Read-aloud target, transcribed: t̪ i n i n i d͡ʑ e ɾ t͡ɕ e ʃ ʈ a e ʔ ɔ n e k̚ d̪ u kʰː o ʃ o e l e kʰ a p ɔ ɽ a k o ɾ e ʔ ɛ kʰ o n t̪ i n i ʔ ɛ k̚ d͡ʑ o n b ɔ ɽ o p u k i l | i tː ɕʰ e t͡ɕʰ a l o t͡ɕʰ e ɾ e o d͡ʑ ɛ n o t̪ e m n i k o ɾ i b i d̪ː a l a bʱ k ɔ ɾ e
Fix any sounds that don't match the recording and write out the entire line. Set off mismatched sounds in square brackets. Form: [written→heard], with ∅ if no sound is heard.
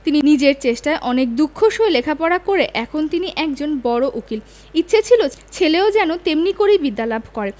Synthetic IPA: t̪ i n i n i d͡ʑ e ɾ t͡ɕ e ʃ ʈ a e ʔ ɔ n e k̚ d̪ u kʰː o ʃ o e l e kʰ a p ɔ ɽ a k o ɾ e ʔ ɛ kʰ o n t̪ i n i ʔ ɛ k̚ d͡ʑ o n b ɔ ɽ o [p→ʔ] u k i l | i tː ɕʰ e t͡ɕʰ [a→i] l o t͡ɕʰ e [ɾ→l] e o d͡ʑ ɛ n o t̪ e m n i k o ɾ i b i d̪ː a l a bʱ k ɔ ɾ e